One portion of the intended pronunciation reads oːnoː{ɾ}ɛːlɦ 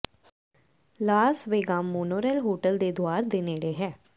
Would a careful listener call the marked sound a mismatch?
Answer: no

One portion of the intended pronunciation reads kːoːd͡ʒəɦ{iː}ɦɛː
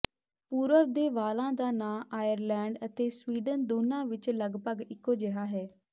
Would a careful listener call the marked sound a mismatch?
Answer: yes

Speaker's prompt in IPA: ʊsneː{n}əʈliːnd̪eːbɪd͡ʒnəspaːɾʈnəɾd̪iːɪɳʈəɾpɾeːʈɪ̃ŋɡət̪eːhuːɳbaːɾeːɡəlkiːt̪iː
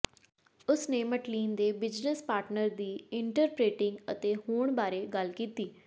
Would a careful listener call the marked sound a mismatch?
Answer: yes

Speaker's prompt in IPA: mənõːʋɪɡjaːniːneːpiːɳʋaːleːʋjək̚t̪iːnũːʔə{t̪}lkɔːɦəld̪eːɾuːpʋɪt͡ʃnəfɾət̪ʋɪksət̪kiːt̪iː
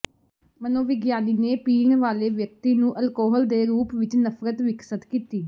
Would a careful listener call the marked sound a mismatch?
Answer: yes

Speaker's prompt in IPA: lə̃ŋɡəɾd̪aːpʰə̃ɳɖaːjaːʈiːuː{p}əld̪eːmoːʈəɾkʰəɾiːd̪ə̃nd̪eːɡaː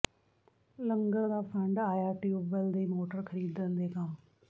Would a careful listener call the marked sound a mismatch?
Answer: yes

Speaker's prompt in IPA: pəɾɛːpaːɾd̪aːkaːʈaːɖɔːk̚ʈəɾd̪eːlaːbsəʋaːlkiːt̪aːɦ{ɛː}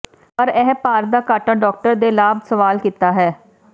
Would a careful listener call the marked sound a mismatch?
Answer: no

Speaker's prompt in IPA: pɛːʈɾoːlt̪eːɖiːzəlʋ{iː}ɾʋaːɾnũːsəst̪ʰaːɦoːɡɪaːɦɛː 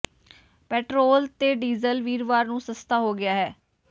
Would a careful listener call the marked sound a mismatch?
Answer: no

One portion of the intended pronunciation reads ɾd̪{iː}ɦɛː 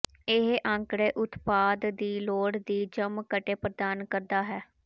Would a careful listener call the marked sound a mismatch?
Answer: yes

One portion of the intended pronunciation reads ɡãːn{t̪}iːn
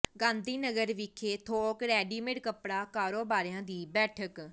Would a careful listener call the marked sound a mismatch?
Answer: yes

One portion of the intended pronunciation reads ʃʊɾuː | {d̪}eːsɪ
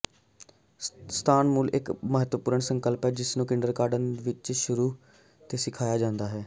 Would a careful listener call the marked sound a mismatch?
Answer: yes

